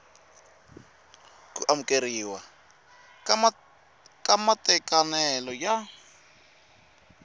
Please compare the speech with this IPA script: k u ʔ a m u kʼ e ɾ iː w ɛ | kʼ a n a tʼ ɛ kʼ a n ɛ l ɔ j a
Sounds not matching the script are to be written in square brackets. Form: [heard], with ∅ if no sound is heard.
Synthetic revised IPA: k u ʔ a m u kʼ e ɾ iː w [a] | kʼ a [m] a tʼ ɛ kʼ a n ɛ l ɔ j a